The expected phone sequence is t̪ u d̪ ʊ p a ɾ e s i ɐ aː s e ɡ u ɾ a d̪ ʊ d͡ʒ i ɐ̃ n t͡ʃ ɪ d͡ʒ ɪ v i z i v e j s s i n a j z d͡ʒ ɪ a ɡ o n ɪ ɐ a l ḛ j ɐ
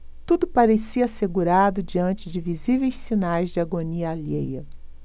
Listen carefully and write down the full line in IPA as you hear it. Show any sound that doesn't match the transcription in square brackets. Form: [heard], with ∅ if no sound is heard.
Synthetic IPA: t̪ u d̪ ʊ p a ɾ e s i ɐ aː s e ɡ u ɾ a d̪ ʊ d͡ʒ i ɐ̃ n t͡ʃ ɪ d͡ʒ ɪ v i z i v e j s s i n a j z d͡ʒ ɪ a ɡ o n [i] ɐ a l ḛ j ɐ